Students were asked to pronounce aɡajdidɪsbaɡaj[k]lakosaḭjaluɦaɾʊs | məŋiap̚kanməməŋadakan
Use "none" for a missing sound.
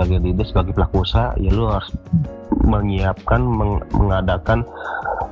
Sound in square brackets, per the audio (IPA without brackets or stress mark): p